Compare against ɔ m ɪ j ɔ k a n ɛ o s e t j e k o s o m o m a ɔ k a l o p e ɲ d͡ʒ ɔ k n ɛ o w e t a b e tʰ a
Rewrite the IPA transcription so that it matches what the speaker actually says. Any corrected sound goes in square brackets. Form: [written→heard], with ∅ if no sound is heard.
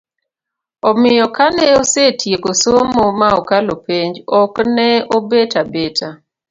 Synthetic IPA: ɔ m ɪ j ɔ k a n ɛ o s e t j e k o s o m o m a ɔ k a l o p e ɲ d͡ʒ ɔ k n ɛ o [w→b] e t a b e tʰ a